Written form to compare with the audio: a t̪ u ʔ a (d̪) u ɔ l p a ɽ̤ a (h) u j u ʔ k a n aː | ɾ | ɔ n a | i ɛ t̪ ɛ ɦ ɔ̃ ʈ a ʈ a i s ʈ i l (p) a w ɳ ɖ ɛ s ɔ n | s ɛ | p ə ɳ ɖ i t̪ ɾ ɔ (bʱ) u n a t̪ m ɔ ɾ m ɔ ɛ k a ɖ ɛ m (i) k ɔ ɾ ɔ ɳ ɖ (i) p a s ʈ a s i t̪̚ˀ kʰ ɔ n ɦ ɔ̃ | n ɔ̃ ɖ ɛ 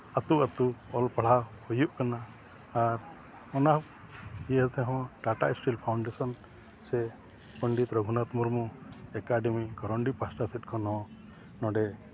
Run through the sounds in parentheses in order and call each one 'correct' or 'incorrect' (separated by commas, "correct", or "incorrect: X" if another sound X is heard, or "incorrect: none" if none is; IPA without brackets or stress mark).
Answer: incorrect: t̪, correct, incorrect: pʰ, incorrect: ɡʱ, correct, correct